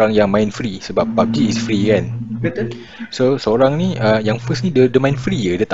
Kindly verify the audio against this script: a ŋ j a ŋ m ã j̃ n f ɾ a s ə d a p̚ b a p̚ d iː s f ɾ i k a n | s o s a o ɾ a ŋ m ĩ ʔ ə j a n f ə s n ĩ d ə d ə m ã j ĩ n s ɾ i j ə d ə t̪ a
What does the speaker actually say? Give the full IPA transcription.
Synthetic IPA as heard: a ŋ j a ŋ m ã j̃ n f ɾ i s ə b a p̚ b a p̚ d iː s f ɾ i k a n | s o s ə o ɾ a ŋ n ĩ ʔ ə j a ŋ f ə s n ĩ d ə d ə m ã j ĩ n f ɾ i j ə d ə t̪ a